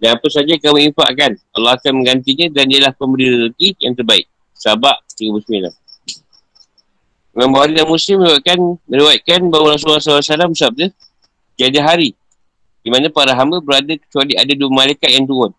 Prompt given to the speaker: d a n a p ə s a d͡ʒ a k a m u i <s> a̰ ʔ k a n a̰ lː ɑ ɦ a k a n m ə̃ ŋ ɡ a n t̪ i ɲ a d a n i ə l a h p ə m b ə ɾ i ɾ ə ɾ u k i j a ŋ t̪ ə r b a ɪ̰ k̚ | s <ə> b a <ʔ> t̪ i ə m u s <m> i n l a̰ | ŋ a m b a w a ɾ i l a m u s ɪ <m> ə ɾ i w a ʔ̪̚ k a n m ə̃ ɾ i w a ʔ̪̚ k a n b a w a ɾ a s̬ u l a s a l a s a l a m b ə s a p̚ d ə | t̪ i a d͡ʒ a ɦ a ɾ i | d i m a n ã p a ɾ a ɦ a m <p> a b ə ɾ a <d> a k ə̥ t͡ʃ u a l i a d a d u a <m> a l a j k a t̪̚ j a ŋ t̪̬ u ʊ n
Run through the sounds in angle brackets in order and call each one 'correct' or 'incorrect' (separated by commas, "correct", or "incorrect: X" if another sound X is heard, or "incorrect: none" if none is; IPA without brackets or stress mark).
incorrect: f, incorrect: a, correct, correct, correct, incorrect: b, correct, correct